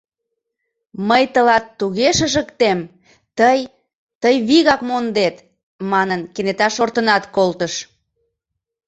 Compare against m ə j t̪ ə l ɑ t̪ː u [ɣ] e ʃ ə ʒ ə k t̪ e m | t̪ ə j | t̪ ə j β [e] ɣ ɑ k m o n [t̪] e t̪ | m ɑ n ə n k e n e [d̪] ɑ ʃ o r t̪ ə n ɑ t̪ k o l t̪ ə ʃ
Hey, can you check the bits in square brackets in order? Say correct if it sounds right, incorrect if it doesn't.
correct, incorrect: i, incorrect: d̪, incorrect: t̪

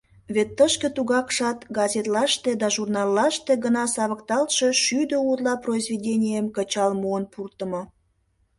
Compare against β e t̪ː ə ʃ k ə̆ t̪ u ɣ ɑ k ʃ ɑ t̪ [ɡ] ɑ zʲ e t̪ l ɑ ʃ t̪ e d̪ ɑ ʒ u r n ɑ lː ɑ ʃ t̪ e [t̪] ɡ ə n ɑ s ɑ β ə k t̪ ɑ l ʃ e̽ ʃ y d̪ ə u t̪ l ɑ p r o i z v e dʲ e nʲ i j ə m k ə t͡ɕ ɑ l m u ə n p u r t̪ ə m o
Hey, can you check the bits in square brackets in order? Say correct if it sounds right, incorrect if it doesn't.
correct, incorrect: none

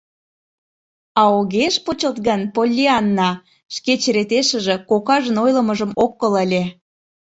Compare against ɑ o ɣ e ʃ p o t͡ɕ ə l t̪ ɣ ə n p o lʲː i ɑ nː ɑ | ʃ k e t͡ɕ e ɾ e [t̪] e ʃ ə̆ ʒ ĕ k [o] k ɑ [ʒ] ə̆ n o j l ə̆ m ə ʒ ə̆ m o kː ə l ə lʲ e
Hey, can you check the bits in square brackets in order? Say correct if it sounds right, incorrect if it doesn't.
correct, correct, correct

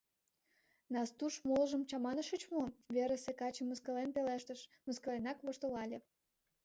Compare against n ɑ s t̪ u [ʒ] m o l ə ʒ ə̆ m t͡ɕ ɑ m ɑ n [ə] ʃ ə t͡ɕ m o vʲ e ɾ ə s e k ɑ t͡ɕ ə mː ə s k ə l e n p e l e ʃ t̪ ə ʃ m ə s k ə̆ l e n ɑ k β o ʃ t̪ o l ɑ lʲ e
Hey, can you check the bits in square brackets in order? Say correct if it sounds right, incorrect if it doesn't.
incorrect: ʃ, correct

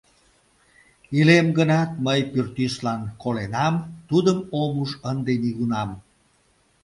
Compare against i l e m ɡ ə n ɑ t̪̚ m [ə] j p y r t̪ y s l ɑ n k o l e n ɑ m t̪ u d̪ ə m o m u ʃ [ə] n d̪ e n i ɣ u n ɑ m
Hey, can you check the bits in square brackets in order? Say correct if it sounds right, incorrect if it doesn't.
correct, correct

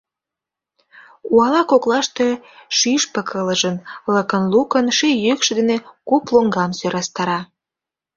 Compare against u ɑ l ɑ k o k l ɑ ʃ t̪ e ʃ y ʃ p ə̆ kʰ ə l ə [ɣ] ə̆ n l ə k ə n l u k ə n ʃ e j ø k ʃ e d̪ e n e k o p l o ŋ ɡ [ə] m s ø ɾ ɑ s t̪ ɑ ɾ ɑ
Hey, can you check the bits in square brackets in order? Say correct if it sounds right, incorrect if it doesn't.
incorrect: ʒ, incorrect: ɑ

